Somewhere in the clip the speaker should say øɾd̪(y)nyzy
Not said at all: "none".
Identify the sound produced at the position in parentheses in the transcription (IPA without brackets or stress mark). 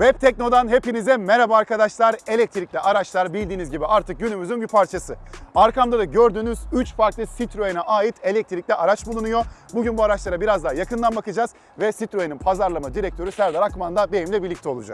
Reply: yː